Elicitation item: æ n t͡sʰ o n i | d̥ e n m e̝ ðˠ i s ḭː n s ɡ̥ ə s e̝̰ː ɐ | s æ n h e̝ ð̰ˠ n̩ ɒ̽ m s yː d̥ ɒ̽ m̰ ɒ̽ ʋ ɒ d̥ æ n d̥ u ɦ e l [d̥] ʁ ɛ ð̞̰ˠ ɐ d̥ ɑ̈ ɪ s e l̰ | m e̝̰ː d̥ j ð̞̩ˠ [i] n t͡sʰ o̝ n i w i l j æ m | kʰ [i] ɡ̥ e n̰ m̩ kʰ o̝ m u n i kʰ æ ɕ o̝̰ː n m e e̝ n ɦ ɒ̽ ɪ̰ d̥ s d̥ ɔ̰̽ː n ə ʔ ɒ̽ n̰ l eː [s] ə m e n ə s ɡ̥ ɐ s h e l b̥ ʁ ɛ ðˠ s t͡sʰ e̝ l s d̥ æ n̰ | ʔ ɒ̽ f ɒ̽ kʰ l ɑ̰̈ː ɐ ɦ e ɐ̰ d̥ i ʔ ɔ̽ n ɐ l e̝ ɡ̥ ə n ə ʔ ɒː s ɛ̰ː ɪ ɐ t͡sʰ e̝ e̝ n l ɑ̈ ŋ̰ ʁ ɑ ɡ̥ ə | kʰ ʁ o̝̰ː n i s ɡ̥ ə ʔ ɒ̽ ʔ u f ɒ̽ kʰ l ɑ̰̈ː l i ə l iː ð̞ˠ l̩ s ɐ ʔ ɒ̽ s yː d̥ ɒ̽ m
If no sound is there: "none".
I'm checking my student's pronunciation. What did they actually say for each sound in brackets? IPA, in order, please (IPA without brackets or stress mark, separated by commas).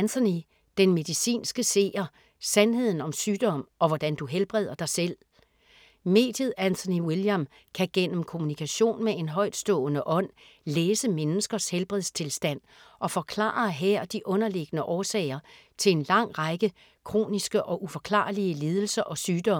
b̥, æ, æ, s